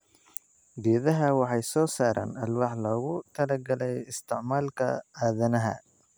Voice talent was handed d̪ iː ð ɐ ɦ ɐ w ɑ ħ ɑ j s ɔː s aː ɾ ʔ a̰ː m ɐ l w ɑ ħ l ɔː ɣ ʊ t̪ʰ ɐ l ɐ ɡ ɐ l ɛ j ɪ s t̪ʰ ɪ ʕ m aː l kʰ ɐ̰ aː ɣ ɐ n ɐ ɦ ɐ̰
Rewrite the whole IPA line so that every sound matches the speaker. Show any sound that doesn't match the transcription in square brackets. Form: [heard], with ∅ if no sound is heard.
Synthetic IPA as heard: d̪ iː ð ɐ ɦ ɐ w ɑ ħ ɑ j s ɔː s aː ɾ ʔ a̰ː [n] ɐ l w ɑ ħ l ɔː ɣ ʊ t̪ʰ ɐ l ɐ ɡ ɐ l ɛ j ɪ s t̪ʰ ɪ ʕ m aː l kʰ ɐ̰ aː [ð] ɐ n ɐ ɦ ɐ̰